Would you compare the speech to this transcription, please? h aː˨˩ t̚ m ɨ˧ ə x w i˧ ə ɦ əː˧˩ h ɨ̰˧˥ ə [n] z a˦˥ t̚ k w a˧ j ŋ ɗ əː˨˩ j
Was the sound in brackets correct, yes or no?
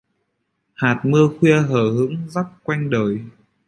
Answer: no